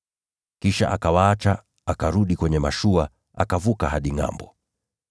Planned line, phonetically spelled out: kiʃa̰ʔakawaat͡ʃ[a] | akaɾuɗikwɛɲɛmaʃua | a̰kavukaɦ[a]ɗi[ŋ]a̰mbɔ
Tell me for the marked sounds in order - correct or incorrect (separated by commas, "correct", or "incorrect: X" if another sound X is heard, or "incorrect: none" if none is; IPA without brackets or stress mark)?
correct, correct, correct